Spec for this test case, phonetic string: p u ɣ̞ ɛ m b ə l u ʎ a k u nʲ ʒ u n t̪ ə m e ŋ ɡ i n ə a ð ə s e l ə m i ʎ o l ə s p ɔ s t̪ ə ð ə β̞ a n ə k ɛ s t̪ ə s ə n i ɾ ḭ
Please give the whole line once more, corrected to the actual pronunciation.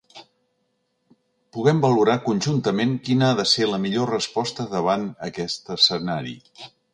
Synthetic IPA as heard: p u ɣ̞ ɛ m b ə l u ɾ a k u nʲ ʒ u n t̪ ə m e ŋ k i n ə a ð ə s e l ə m i ʎ o r ə s p ɔ s t̪ ə ð ə β̞ a n ə k ɛ s t̪ ə s ə n a ɾ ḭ